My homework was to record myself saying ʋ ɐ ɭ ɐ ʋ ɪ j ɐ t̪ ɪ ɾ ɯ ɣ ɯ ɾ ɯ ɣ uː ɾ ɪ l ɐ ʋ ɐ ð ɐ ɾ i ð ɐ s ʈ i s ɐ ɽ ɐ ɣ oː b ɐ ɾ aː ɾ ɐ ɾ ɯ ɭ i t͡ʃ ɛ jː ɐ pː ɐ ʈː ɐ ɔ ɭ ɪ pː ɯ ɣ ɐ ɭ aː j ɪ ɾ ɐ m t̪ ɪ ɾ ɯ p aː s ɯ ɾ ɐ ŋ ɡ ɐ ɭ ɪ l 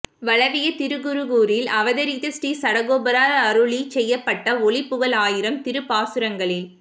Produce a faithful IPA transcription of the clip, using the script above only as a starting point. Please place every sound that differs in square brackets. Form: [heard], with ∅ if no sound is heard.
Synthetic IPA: ʋ ɐ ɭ ɐ ʋ ɪ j ɐ t̪ ɪ ɾ ɯ ɣ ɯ ɾ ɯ ɣ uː ɾ ɪ l ɐ ʋ ɐ ð ɐ ɾ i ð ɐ s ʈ i s ɐ ɽ ɐ ɣ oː b ɐ ɾ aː ɾ ɐ ɾ ɯ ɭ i t͡ʃ ɛ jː ɐ pː ɐ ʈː ɐ ɔ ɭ ɪ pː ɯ ɣ ɐ ɭ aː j ɪ ɾ ɐ m t̪ ɪ ɾ ɯ p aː s ɯ ɾ ɐ ŋ ɡ ɐ ɭ ɪ l